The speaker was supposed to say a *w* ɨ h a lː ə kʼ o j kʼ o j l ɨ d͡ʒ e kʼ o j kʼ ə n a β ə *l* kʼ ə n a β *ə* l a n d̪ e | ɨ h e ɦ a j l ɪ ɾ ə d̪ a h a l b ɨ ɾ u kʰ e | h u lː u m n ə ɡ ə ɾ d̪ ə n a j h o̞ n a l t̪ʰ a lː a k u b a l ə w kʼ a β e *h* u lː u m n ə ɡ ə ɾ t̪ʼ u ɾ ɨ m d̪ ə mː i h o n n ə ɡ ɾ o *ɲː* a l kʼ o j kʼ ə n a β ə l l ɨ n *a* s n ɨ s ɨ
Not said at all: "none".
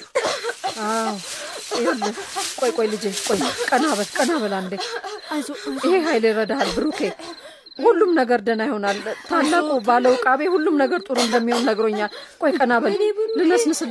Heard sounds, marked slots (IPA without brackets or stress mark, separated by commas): w, l, ə, h, ɲː, ə